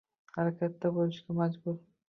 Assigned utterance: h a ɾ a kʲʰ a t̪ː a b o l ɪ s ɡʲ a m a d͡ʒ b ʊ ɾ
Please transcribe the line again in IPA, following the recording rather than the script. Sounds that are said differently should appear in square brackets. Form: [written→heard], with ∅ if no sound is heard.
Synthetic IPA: h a ɾ a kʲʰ a t̪ː a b o l ɪ [s→ʃ] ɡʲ a m a d͡ʒ b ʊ ɾ